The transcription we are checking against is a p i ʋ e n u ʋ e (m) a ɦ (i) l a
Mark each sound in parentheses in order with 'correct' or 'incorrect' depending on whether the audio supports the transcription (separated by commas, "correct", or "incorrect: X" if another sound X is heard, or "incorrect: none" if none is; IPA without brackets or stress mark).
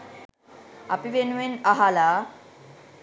incorrect: n, incorrect: a